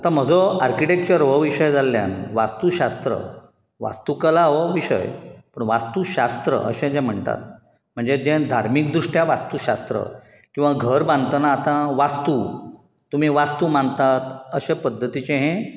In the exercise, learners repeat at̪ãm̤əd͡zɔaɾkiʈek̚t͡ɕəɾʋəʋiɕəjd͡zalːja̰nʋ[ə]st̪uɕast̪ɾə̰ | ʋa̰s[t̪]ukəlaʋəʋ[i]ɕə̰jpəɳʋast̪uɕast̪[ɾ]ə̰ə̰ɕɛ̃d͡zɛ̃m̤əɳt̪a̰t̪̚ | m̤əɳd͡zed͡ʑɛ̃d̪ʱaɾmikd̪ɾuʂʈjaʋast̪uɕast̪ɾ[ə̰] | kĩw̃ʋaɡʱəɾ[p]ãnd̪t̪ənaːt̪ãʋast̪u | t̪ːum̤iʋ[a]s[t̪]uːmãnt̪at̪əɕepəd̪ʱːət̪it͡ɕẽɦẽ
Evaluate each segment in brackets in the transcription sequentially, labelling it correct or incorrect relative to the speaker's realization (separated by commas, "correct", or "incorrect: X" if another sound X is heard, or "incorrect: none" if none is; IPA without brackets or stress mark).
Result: incorrect: a, correct, correct, correct, correct, incorrect: b, correct, correct